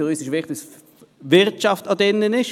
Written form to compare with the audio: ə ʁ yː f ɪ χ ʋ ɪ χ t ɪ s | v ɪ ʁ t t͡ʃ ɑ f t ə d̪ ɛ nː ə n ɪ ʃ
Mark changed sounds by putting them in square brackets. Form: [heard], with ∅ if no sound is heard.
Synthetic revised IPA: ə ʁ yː [s] ɪ [ʃ] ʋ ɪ χ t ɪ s | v ɪ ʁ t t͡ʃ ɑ f t [ɑ] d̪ ɛ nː ə n ɪ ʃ